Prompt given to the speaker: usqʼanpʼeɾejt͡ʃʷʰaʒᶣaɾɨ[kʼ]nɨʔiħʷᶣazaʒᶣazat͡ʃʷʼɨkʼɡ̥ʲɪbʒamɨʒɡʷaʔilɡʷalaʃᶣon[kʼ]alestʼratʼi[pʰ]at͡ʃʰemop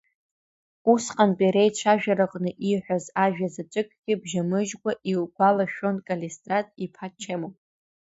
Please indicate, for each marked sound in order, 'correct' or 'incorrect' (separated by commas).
incorrect, correct, correct